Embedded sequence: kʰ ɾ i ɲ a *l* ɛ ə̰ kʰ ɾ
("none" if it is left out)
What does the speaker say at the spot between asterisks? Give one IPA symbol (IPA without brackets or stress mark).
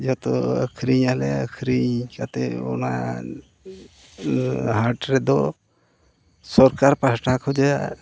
l